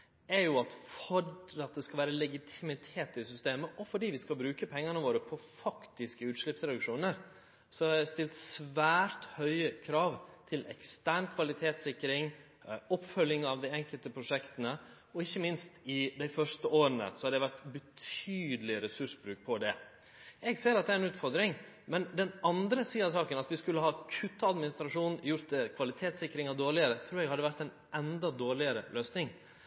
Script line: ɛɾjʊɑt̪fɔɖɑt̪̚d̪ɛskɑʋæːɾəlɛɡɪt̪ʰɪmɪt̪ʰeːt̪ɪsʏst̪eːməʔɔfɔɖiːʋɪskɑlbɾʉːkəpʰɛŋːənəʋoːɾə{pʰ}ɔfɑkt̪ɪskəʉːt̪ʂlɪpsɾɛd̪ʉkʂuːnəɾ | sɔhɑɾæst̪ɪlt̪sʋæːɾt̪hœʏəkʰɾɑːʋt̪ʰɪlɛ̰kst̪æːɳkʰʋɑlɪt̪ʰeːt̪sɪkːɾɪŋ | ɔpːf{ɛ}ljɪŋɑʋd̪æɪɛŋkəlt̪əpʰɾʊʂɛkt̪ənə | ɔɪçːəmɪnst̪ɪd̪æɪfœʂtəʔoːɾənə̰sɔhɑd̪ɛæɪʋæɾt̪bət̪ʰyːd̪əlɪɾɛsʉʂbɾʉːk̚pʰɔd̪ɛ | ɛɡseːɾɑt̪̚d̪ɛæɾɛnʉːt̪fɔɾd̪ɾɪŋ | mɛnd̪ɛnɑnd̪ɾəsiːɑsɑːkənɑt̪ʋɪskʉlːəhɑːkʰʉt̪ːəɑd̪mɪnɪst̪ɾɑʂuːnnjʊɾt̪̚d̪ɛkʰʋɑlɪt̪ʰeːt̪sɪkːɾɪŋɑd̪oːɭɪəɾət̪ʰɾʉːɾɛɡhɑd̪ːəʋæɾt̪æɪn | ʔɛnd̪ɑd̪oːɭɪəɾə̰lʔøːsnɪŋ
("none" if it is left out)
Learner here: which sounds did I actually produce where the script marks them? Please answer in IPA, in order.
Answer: pʰ, œ

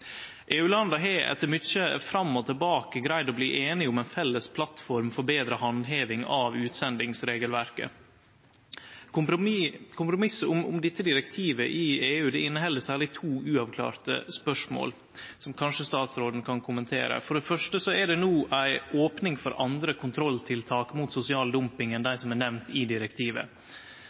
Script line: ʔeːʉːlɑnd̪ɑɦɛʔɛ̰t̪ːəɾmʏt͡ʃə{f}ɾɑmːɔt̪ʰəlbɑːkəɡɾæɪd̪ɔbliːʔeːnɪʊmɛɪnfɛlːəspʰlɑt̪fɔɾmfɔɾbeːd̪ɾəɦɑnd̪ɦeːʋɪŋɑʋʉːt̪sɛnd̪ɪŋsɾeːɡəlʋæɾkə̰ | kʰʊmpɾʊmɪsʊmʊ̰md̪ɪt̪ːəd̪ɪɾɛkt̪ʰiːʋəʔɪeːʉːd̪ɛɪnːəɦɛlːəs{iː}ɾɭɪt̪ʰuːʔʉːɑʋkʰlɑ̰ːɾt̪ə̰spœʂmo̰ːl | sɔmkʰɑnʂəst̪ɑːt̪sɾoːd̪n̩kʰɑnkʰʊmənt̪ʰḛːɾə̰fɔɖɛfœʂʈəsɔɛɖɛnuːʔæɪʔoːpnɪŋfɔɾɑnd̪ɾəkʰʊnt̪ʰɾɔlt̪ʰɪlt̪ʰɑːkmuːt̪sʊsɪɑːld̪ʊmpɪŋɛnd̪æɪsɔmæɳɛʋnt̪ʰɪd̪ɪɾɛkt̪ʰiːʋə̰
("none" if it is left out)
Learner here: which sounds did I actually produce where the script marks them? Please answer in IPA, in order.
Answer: f, æː

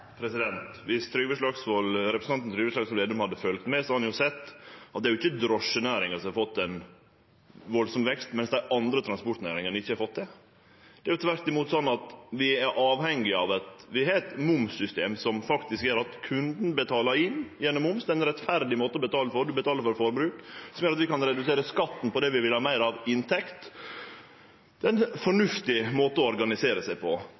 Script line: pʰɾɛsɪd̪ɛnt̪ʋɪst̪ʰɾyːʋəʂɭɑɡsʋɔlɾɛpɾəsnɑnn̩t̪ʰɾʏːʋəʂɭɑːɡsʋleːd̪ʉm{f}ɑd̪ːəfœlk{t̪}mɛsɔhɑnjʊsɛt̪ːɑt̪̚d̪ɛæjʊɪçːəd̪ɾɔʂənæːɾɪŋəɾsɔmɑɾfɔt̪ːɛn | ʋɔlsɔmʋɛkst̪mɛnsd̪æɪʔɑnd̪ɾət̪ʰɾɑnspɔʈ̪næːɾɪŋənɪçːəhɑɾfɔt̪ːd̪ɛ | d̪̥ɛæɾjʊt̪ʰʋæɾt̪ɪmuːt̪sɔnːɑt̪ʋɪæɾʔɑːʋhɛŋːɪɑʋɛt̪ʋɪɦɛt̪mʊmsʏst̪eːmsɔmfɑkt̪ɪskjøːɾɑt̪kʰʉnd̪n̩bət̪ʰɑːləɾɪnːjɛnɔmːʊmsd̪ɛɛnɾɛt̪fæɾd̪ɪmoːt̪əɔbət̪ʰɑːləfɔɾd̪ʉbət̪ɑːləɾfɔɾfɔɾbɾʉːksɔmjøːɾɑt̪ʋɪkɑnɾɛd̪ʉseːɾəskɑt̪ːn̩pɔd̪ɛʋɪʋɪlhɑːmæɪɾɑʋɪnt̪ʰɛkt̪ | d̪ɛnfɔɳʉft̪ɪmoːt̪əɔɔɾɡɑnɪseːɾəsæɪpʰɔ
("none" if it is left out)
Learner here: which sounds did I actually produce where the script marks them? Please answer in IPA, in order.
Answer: h, t̪

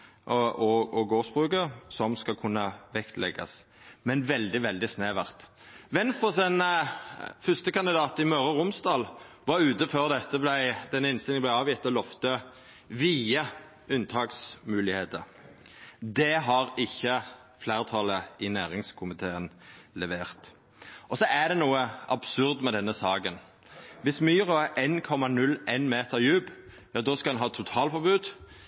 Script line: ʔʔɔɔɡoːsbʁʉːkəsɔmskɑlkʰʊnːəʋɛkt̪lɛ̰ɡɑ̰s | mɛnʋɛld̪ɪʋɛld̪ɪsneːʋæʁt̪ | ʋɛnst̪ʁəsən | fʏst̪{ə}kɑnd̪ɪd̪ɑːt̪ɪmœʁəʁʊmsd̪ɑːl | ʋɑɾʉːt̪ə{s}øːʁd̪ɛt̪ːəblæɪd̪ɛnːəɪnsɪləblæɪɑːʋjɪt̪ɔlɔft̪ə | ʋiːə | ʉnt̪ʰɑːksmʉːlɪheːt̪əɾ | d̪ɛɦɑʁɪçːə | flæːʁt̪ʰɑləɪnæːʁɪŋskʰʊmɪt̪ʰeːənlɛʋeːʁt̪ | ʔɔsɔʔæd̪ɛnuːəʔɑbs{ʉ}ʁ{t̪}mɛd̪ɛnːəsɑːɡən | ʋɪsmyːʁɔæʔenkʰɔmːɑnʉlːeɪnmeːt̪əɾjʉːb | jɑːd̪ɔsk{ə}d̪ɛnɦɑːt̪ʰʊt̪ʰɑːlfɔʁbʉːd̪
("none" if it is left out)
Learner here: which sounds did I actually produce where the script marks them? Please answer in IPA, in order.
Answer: ə, f, ʉ, d̪, ɑ

